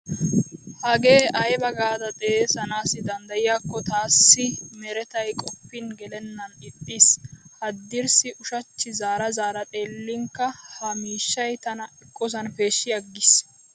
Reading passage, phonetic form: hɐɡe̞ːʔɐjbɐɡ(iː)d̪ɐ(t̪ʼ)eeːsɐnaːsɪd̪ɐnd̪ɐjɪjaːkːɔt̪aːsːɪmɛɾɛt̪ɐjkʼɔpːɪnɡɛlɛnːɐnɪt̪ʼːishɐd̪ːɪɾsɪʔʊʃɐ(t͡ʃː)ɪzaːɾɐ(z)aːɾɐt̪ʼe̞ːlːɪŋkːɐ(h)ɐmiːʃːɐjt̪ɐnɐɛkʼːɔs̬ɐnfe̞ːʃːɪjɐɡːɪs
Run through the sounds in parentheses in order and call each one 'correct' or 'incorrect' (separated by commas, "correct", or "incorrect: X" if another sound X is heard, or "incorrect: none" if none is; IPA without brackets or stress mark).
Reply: incorrect: aː, correct, correct, correct, correct